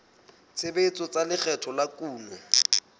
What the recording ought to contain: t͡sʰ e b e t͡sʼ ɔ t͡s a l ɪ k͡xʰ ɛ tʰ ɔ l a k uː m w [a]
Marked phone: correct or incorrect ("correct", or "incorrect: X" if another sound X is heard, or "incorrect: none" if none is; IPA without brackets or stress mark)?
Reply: incorrect: ɛ